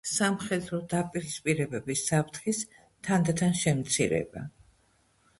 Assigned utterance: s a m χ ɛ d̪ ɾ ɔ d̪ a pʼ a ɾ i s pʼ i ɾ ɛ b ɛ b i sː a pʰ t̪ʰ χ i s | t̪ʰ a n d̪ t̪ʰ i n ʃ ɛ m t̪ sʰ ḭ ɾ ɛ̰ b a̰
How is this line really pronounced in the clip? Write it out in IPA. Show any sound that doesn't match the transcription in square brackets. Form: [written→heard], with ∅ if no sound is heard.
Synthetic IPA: s a m χ ɛ d̪ ɾ ɔ d̪ a pʼ [a→i] ɾ i s pʼ i ɾ ɛ b ɛ b i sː a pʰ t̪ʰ χ i s | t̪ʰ a n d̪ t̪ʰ [i→a] n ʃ ɛ m t̪ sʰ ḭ ɾ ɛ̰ b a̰